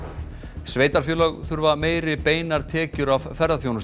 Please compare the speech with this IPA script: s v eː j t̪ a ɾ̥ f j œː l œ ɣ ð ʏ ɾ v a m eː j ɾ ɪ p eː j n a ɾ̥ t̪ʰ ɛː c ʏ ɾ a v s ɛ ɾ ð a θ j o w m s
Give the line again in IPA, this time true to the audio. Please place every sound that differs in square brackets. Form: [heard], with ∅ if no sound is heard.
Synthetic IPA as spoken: s v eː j t̪ a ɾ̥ f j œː l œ ɣ [θ] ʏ ɾ v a m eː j ɾ ɪ p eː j n a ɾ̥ t̪ʰ ɛː c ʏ ɾ a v [f] ɛ ɾ ð a θ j o w [n] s